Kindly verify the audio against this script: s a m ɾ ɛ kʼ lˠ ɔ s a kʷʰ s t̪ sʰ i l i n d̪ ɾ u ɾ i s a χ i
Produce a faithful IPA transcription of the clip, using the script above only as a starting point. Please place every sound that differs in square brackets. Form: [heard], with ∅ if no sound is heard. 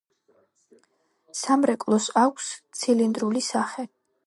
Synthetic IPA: s a m ɾ ɛ kʼ lˠ ɔ s a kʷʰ s t̪ sʰ i l i n d̪ ɾ u [l] i s a χ [ɛ]